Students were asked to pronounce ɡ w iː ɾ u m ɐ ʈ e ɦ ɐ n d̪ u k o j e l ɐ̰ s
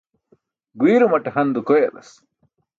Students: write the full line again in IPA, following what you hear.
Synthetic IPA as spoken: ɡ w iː ɾ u m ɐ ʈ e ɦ ɐ n d̪ u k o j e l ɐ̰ s